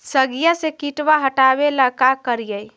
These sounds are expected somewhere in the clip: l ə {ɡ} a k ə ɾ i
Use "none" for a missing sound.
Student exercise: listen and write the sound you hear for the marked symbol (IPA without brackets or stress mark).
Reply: k